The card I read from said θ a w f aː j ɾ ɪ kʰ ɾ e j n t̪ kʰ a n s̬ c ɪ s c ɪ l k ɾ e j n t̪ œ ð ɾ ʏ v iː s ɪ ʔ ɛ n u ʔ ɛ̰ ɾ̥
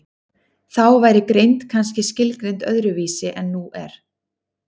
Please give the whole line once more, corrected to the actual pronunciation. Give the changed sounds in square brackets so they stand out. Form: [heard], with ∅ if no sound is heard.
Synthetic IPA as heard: θ a w [v] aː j ɾ ɪ [k] ɾ e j n t̪ kʰ a n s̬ c ɪ s c ɪ l k ɾ e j n t̪ œ ð ɾ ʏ v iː s ɪ ʔ ɛ [nː] u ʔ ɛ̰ ɾ̥